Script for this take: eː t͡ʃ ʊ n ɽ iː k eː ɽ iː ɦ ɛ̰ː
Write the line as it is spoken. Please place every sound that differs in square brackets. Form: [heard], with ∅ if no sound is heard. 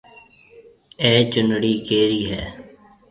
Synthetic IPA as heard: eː t͡ʃ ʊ n ɽ iː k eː [ɾ] iː ɦ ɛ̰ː

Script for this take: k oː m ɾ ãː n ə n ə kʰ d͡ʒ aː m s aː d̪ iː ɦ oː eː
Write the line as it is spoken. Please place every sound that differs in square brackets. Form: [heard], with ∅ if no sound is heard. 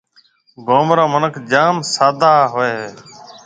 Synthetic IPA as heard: [ɡ] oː m ɾ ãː [m] ə n ə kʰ d͡ʒ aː m s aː d̪ [aː] ɦ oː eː

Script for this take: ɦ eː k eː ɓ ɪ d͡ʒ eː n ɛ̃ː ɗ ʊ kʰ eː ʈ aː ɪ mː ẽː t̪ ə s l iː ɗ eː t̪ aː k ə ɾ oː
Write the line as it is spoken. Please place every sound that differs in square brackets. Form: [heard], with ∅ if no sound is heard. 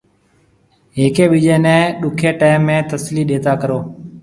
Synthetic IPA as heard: ɦ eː k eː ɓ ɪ d͡ʒ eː n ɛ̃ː ɗ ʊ kʰ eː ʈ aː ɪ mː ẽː t̪ ə s l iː ɗ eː t̪ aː k ə ɾ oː

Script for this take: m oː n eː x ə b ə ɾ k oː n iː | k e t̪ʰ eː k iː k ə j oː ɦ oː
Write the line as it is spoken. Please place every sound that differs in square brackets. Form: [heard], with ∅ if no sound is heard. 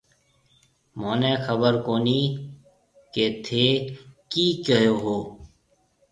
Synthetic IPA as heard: m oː n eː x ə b ə ɾ k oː n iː | k e t̪ʰ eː k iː k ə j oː ɦ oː

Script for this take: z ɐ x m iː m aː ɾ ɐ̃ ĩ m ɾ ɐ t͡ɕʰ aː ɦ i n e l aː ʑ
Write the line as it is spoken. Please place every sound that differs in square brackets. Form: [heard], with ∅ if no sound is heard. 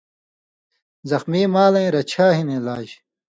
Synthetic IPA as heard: z ɐ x m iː m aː [l] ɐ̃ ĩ [∅] ɾ ɐ t͡ɕʰ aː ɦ i n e l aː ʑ

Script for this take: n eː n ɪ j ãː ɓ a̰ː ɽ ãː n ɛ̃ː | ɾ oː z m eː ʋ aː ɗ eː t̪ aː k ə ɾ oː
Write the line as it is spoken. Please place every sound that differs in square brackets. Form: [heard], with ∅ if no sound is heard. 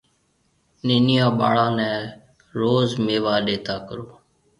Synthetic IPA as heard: n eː n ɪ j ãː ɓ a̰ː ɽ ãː n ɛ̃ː | ɾ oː z m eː ʋ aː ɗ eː t̪ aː k ə ɾ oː

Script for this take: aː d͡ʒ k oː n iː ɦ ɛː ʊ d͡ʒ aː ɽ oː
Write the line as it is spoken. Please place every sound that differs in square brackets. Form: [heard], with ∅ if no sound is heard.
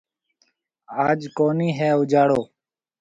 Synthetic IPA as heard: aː d͡ʒ k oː n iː ɦ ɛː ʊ d͡ʒ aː ɽ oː

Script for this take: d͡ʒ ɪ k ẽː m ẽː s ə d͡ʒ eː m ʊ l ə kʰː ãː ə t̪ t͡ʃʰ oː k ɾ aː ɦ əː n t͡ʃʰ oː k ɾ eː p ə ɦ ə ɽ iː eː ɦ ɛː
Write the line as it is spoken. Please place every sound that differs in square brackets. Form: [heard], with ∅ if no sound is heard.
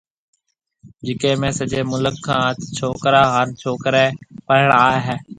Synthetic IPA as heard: d͡ʒ ɪ k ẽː m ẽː s ə d͡ʒ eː m ʊ l ə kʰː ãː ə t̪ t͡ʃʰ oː k ɾ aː ɦ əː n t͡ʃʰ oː k ɾ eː p ə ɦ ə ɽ [aː] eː ɦ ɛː

